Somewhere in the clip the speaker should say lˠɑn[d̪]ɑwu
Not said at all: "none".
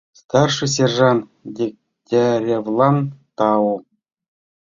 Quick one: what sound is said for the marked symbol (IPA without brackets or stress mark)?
t̪